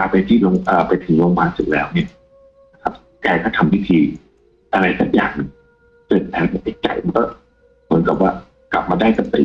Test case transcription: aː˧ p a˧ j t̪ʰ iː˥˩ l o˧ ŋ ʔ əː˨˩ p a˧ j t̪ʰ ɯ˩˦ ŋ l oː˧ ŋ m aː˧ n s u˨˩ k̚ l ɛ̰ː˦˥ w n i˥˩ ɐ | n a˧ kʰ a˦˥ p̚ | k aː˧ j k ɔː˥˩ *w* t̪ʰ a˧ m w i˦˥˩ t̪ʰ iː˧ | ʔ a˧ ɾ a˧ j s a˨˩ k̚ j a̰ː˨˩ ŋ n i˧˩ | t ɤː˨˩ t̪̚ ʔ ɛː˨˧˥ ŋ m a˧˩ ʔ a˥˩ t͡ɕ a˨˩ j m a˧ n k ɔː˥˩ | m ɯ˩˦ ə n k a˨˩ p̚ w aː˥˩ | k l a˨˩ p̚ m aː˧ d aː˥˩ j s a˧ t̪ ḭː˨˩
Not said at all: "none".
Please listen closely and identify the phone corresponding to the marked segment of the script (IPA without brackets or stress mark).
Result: none